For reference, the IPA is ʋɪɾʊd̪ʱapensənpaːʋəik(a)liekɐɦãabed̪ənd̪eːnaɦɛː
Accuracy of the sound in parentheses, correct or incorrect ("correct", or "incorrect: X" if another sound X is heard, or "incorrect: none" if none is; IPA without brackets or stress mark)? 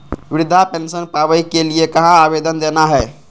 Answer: incorrect: e